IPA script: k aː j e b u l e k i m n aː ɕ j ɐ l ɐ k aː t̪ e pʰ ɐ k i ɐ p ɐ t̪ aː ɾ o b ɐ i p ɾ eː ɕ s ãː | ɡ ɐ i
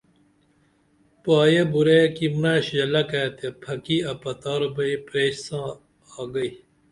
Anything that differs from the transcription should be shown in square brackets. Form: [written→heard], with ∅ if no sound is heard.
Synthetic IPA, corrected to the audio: [k→p] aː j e b u [l→ɾ] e k i m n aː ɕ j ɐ l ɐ k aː t̪ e pʰ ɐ k i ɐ p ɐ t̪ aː ɾ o b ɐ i p ɾ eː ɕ s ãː | ɡ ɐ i